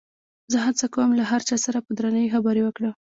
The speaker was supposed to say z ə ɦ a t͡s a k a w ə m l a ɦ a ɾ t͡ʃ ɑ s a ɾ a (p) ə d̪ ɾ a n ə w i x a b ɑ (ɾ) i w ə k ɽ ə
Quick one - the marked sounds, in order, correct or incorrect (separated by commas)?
correct, correct